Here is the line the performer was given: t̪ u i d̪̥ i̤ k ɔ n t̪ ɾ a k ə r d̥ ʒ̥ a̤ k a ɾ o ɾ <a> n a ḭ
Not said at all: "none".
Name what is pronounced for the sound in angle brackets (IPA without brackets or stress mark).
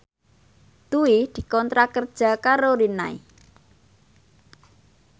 i